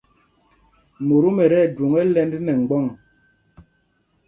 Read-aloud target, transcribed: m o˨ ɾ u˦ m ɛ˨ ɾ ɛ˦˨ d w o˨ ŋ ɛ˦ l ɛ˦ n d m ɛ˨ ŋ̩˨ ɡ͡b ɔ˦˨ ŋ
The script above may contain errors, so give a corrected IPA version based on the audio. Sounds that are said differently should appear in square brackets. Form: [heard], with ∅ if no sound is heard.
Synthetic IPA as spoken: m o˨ ɾ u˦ m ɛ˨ ɾ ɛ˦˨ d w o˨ ŋ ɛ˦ l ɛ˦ n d [n] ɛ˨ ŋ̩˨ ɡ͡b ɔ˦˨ ŋ